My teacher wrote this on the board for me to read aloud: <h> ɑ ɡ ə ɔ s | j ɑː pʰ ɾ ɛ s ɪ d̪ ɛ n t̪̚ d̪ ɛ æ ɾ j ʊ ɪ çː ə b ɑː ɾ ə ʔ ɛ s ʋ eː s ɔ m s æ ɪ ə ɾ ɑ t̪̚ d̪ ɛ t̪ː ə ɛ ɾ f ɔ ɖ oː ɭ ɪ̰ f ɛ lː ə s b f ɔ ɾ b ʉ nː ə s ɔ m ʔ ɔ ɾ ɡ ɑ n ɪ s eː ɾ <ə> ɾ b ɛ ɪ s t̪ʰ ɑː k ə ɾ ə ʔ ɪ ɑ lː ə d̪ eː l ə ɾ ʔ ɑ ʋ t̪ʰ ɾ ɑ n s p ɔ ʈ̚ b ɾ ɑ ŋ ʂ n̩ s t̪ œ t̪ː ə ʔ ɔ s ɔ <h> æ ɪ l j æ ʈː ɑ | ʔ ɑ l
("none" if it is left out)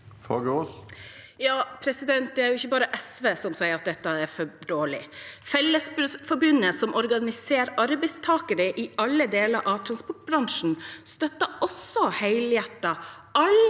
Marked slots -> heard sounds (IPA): f, ɑ, h

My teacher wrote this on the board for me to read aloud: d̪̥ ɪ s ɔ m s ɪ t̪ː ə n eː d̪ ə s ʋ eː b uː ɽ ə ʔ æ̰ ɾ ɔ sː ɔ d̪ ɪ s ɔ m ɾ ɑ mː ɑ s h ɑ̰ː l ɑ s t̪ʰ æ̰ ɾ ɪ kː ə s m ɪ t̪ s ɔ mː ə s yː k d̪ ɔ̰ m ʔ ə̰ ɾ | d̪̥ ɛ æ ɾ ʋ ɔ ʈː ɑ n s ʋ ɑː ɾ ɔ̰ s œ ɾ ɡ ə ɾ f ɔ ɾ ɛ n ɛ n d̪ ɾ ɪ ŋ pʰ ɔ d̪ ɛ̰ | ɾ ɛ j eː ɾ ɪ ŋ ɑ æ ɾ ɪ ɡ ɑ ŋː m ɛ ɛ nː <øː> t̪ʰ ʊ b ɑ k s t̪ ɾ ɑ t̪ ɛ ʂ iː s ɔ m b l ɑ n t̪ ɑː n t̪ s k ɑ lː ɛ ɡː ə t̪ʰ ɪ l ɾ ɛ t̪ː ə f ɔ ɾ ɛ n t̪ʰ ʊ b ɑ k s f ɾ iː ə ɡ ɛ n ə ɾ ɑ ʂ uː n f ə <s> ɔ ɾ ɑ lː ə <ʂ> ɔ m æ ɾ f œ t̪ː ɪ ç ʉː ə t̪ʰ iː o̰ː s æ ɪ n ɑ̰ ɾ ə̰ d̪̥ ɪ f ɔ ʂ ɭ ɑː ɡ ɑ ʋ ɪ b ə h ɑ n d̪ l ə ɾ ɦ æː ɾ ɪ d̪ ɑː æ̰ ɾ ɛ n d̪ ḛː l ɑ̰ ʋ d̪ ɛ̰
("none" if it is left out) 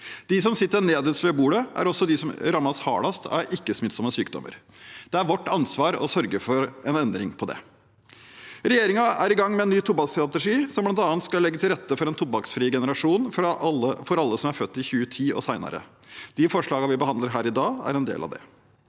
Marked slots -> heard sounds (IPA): yː, f, s

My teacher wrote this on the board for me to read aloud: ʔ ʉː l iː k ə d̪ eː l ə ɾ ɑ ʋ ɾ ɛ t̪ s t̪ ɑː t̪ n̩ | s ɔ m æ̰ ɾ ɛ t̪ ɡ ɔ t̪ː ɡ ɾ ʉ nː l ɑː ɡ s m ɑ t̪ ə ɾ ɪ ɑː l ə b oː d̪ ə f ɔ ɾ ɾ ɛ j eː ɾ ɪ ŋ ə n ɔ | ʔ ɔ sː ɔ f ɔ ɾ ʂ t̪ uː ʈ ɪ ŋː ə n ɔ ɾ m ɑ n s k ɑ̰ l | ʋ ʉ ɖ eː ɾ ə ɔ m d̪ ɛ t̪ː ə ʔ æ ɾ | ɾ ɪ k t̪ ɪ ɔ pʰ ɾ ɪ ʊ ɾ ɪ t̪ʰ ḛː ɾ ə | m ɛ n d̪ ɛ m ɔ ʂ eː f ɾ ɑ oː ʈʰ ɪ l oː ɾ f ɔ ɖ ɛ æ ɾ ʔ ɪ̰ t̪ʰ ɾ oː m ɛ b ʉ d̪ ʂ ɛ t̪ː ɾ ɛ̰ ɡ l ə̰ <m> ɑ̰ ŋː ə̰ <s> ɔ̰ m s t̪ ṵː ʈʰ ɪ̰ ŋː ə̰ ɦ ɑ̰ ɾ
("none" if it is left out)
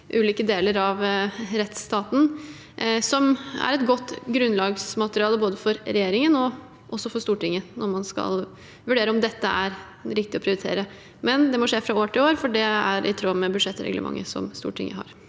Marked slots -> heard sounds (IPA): m, s

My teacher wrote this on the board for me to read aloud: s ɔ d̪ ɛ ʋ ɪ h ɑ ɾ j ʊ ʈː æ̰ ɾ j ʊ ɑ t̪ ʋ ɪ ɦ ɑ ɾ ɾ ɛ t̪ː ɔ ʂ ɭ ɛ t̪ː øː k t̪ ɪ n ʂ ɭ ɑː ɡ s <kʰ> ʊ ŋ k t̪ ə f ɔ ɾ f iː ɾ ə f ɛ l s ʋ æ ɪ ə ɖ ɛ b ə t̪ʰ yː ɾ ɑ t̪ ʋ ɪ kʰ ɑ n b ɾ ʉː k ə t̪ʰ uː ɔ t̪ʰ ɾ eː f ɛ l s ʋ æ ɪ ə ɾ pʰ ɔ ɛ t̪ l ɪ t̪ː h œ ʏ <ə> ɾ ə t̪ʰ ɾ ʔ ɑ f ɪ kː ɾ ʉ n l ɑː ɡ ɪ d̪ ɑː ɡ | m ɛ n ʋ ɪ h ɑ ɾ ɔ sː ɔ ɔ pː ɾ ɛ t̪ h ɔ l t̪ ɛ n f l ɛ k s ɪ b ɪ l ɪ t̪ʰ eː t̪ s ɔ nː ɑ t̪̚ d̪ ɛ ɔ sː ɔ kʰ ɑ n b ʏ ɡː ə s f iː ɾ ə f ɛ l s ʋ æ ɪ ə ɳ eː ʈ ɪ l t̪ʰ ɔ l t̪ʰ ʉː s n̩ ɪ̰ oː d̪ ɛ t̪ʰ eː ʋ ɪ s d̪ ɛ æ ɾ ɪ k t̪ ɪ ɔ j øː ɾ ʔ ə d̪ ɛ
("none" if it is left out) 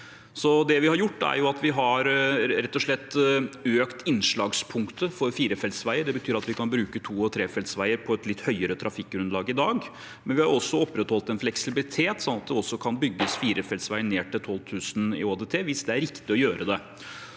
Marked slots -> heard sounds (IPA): pʰ, ə

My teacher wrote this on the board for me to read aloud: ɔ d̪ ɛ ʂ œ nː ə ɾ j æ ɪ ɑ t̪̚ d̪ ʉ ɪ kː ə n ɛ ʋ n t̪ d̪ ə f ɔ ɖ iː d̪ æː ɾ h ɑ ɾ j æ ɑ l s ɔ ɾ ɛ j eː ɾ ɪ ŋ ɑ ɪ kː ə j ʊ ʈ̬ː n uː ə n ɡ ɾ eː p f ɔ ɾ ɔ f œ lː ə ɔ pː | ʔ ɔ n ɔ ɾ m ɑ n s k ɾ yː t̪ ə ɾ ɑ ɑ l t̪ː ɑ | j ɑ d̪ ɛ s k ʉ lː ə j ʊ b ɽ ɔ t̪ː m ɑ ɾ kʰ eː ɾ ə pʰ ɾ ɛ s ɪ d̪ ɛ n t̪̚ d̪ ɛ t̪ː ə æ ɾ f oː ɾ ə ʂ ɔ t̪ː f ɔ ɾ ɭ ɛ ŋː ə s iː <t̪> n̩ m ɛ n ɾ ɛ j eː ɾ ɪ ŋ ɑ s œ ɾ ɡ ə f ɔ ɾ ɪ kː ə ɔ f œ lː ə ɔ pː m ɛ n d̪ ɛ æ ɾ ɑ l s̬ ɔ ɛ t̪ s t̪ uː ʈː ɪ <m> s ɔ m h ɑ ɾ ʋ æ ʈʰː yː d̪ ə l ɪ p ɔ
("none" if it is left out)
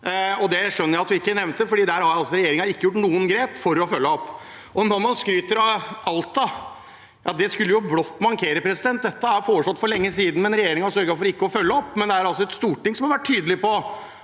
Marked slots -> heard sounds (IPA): d̪, ŋ

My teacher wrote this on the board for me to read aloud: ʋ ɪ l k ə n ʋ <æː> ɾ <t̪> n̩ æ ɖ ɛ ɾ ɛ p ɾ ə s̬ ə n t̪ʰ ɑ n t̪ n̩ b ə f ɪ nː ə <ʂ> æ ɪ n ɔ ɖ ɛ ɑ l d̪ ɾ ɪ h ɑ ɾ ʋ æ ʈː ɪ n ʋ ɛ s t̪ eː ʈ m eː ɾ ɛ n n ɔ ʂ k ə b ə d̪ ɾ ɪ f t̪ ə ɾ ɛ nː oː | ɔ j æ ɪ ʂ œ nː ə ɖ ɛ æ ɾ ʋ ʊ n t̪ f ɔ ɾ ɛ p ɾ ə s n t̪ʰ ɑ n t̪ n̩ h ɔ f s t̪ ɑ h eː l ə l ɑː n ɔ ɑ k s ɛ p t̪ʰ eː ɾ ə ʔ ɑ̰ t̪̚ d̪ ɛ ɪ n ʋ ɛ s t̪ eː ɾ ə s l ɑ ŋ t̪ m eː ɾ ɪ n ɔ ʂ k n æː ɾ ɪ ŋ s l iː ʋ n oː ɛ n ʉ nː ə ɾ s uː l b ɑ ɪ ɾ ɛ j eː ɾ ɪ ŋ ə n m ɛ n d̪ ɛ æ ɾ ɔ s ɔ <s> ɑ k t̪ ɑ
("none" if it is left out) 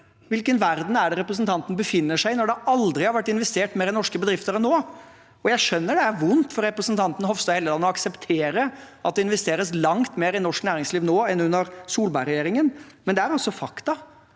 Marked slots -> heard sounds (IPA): æ, d̪, ʂ, f

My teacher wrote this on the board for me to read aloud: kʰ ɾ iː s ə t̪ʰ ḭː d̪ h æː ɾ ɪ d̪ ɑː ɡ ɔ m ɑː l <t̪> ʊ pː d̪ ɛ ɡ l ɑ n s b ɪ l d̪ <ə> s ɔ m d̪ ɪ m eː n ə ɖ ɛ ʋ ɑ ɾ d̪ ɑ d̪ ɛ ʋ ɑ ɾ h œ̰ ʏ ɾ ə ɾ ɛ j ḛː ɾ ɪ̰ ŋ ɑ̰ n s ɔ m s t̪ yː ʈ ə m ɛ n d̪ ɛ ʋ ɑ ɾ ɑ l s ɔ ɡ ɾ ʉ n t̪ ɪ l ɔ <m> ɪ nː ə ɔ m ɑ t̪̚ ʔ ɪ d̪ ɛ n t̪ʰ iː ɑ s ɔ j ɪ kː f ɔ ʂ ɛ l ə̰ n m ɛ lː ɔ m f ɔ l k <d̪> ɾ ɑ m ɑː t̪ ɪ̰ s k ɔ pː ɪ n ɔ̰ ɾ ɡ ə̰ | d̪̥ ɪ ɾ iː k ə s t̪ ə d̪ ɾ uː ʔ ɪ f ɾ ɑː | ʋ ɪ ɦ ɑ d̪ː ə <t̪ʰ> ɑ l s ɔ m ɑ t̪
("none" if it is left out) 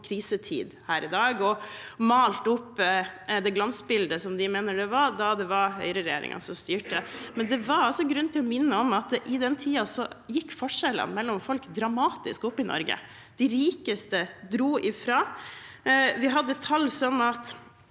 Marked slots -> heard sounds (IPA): t̪, ə, m, d̪, t̪ʰ

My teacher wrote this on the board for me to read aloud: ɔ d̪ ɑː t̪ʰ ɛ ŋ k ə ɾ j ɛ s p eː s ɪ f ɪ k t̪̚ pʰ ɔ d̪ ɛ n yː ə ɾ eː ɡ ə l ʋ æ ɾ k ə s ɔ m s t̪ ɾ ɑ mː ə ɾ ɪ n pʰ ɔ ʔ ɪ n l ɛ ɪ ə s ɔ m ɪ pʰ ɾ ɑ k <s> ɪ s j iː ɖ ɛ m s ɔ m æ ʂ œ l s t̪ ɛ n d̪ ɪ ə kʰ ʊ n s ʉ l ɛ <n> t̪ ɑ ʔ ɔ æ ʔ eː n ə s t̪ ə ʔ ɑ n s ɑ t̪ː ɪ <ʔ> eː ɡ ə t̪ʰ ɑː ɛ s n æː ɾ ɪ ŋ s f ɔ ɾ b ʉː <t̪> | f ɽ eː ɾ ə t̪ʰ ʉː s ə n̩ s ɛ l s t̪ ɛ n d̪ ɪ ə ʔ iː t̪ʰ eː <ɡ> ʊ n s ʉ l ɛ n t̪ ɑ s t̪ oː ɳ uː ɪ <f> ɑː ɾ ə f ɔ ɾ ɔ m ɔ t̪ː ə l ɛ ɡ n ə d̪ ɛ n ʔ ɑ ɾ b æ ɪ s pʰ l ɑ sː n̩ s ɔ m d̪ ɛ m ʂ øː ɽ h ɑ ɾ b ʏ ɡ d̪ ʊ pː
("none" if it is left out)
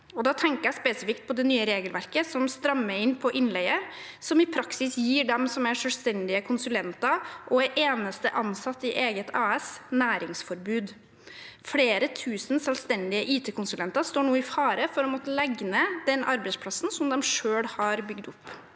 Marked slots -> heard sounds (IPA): s, n, ʔ, d̪, k, f

